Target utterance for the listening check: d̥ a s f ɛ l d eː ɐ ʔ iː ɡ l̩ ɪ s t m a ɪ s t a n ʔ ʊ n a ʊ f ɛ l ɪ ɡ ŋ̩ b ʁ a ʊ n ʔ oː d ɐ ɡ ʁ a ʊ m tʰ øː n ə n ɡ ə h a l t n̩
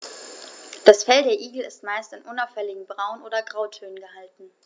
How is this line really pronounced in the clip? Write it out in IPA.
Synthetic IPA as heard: d̥ a s f ɛ l d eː ɐ ʔ iː ɡ l̩ ɪ s t m a ɪ s t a n ʔ ʊ n a ʊ f ɛ l ɪ ɡ ŋ̩ b ʁ a ʊ n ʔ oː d ɐ ɡ ʁ a ʊ tʰ øː n ə n ɡ ə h a l t n̩